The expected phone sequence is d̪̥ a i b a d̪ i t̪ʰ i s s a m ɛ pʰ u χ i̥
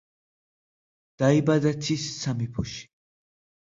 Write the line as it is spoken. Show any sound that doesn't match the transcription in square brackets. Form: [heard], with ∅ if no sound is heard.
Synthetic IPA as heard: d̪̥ a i b a d̪ [a] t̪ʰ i s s a m [i] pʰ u [ʃ] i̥

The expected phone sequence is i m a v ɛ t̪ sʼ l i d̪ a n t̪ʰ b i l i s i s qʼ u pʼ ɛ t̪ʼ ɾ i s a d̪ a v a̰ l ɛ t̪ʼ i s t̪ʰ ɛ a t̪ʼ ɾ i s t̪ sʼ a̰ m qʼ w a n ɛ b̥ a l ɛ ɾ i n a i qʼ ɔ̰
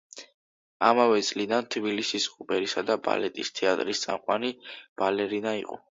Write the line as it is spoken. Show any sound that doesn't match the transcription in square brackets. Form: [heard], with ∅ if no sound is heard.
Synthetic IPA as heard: [a] m a v ɛ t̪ sʼ l i d̪ a n t̪ʰ b i l i s i s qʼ u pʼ ɛ [∅] ɾ i s a d̪ a [b] a̰ l ɛ t̪ʼ i s t̪ʰ ɛ a t̪ʼ ɾ i s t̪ sʼ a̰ m qʼ w a n [i] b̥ a l ɛ ɾ i n a i qʼ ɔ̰

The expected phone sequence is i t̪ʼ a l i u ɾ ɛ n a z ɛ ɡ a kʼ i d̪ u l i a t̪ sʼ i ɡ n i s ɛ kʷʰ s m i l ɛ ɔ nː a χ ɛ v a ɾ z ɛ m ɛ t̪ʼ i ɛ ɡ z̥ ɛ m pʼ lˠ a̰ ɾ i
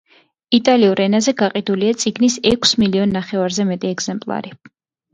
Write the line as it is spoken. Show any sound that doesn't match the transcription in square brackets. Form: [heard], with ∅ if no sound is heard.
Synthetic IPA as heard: i t̪ʼ a l i u ɾ ɛ n a z ɛ ɡ a [qʼ] i d̪ u l i a t̪ sʼ i ɡ n i s ɛ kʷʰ s m i l [i] ɔ nː a χ ɛ v a ɾ z ɛ m ɛ t̪ʼ i ɛ ɡ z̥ ɛ m pʼ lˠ a̰ ɾ i

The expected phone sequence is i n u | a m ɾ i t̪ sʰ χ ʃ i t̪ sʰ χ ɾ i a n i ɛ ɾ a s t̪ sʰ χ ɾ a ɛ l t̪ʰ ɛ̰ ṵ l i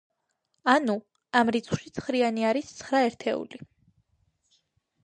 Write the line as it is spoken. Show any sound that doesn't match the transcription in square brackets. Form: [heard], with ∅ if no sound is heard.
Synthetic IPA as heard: [a] n u | a m ɾ i t̪ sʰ χ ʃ i t̪ sʰ χ ɾ i a n i [a] ɾ [i] s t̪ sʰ χ ɾ a ɛ [ɾ] t̪ʰ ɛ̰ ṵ l i

